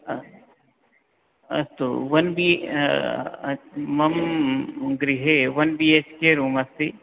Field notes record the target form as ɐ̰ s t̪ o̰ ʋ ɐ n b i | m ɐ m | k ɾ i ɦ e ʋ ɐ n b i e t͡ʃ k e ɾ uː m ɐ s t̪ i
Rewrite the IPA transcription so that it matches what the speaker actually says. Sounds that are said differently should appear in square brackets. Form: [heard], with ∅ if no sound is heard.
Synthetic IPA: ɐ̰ s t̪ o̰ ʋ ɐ n b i | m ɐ m | [ɡ] ɾ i ɦ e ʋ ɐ n b i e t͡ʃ k e ɾ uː m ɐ s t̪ i

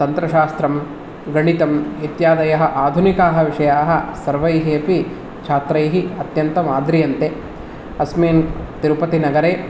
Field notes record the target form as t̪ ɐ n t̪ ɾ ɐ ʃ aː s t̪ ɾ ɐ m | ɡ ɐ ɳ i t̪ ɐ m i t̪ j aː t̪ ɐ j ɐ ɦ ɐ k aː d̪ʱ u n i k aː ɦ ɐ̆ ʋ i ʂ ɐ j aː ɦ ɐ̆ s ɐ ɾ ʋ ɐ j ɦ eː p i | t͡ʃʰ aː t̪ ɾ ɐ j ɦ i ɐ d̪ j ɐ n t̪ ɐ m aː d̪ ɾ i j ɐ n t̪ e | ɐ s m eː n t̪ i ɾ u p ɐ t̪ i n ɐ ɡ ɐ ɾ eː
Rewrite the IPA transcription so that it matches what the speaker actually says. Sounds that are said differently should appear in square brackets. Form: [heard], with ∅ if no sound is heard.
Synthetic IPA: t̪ ɐ n t̪ ɾ ɐ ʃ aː s t̪ ɾ ɐ m | ɡ ɐ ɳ i t̪ ɐ m i t̪ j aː [d̪] ɐ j ɐ ɦ ɐ [ʔ] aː d̪ʱ u n i k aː ɦ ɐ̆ ʋ i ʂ ɐ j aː ɦ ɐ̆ s ɐ ɾ ʋ ɐ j ɦ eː p i | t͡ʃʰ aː t̪ ɾ ɐ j ɦ i ɐ [t̪] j ɐ n t̪ ɐ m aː d̪ ɾ i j ɐ n t̪ e | ɐ s m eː n t̪ i ɾ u p ɐ t̪ i n ɐ ɡ ɐ ɾ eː

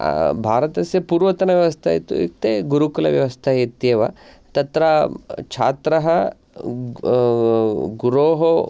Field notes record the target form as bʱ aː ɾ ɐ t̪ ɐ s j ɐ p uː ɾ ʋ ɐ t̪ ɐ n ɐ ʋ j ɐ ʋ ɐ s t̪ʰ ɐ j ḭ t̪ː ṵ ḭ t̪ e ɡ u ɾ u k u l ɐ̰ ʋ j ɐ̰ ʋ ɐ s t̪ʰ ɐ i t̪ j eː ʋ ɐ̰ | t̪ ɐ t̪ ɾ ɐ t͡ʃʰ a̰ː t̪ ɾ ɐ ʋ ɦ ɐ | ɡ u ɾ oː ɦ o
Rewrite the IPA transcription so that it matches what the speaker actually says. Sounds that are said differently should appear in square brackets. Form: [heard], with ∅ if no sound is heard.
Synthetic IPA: bʱ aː ɾ ɐ t̪ ɐ s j ɐ p uː ɾ ʋ ɐ t̪ ɐ n ɐ ʋ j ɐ ʋ ɐ s t̪ʰ ɐ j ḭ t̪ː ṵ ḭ t̪ e ɡ u ɾ u k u l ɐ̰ ʋ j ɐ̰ ʋ ɐ s t̪ʰ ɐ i t̪ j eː ʋ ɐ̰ | t̪ ɐ t̪ ɾ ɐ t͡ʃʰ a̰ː t̪ ɾ ɐ [∅] ɦ ɐ | ɡ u ɾ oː ɦ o

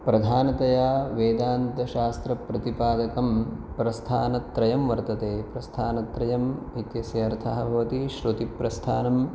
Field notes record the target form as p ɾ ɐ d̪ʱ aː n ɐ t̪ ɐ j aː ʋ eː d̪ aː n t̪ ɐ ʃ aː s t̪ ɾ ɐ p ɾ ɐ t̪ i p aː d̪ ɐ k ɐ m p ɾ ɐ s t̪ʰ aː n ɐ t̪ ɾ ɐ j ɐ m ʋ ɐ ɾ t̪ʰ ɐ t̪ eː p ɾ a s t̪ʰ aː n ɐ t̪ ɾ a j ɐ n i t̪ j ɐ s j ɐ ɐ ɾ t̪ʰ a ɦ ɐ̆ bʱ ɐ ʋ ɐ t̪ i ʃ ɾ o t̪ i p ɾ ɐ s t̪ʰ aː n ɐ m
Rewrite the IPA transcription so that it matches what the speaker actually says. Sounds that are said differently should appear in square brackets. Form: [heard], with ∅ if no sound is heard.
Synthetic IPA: p ɾ ɐ d̪ʱ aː n ɐ t̪ ɐ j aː ʋ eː d̪ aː n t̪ ɐ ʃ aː s t̪ ɾ ɐ p ɾ ɐ t̪ i p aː d̪ ɐ k ɐ m p ɾ ɐ s t̪ʰ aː n ɐ t̪ ɾ ɐ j ɐ m ʋ ɐ ɾ [t̪] ɐ t̪ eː p ɾ [ɐ] s t̪ʰ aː n ɐ t̪ ɾ [ɐ] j ɐ [m] i t̪ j ɐ s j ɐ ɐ ɾ t̪ʰ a ɦ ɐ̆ bʱ ɐ ʋ ɐ t̪ i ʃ ɾ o t̪ i p ɾ ɐ s t̪ʰ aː n ɐ m

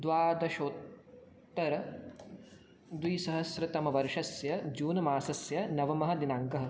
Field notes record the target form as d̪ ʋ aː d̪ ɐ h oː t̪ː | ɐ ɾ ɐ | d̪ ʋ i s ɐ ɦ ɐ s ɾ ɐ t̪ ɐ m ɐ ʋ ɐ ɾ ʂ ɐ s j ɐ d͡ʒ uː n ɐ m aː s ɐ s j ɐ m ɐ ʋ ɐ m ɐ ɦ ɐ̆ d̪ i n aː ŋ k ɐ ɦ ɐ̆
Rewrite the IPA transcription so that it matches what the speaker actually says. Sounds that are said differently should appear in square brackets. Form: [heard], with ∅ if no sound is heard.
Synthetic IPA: d̪ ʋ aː d̪ ɐ [ʃ] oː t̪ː | ɐ ɾ ɐ | d̪ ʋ i s ɐ ɦ ɐ s ɾ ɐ t̪ ɐ m ɐ ʋ ɐ ɾ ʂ ɐ s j ɐ d͡ʒ uː n ɐ m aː s ɐ s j ɐ [n] ɐ ʋ ɐ m ɐ ɦ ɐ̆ d̪ i n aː ŋ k ɐ ɦ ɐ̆

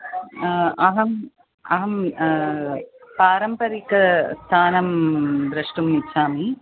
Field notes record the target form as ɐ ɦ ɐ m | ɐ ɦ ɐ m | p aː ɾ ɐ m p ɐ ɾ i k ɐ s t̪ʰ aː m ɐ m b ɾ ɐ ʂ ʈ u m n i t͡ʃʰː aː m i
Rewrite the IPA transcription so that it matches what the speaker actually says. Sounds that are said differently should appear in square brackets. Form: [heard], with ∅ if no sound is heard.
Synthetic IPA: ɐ ɦ ɐ m | ɐ ɦ ɐ m | p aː ɾ ɐ m p ɐ ɾ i k ɐ s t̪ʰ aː [n] ɐ m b ɾ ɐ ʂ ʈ u m n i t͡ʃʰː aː m i

